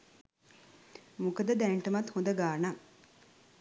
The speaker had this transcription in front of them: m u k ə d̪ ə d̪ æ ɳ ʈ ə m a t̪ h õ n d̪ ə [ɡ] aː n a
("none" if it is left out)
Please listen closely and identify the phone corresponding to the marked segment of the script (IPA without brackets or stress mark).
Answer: ɡ